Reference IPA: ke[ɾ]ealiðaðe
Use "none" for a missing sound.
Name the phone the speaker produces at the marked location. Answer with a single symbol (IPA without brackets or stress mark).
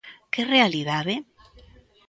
r